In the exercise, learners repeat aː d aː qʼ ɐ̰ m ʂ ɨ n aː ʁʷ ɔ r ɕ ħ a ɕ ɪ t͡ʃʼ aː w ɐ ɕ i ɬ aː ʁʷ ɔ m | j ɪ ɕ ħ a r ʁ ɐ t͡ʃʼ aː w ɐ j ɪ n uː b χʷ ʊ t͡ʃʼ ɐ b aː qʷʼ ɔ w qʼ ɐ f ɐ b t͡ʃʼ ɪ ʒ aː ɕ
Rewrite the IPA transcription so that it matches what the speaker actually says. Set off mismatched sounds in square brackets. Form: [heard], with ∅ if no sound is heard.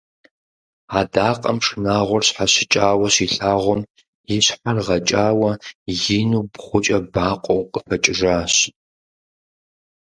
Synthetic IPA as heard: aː d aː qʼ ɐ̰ m ʂ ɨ n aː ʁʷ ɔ r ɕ ħ a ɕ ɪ t͡ʃʼ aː w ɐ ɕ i ɬ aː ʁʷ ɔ m | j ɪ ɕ ħ a r ʁ ɐ t͡ʃʼ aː w ɐ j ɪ n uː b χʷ ʊ t͡ʃʼ ɐ b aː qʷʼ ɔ w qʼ [ə] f ɐ [∅] t͡ʃʼ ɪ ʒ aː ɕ